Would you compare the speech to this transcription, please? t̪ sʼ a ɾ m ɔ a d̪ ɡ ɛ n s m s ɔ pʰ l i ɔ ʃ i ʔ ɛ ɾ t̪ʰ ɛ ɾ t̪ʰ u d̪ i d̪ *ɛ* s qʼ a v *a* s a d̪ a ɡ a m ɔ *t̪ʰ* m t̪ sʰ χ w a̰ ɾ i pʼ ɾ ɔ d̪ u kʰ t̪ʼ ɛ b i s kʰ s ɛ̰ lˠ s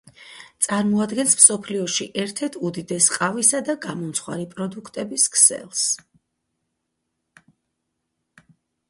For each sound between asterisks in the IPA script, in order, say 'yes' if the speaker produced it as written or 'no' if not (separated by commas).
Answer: yes, no, no